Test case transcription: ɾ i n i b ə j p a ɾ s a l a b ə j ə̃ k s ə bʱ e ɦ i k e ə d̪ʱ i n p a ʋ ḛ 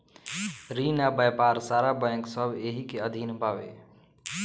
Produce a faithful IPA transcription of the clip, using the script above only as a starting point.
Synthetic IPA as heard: ɾ i n a b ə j p a ɾ s a ɾ a b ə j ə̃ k s ə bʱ e ɦ i k e ə d̪ʱ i n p a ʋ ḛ